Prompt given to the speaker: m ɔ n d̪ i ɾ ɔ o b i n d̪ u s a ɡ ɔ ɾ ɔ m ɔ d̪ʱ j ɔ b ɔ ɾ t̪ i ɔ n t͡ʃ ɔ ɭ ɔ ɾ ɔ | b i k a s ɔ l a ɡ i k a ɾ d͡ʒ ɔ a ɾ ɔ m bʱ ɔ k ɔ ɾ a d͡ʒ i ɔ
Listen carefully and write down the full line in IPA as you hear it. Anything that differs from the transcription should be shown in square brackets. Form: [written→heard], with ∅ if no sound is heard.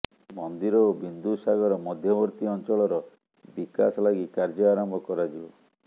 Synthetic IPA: m ɔ n d̪ i ɾ ɔ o b i n d̪ u s a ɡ ɔ ɾ ɔ m ɔ d̪ʱ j ɔ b ɔ ɾ t̪ i ɔ n t͡ʃ ɔ ɭ ɔ ɾ ɔ | b i k a s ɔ l a ɡ i k a ɾ d͡ʒ ɔ a ɾ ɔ m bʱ ɔ k ɔ ɾ a d͡ʒ i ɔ